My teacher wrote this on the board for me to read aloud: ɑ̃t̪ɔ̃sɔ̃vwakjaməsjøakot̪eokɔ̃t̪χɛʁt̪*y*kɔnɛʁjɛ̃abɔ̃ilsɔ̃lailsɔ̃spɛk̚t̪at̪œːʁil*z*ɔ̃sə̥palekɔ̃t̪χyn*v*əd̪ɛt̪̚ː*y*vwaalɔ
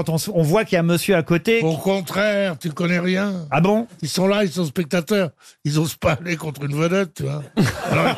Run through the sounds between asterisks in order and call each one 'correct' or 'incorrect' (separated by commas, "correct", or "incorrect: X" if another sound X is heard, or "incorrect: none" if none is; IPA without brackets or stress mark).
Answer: correct, correct, correct, correct